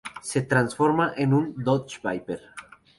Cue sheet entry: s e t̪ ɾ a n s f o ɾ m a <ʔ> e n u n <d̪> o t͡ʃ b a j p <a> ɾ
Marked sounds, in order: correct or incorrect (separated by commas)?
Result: correct, correct, incorrect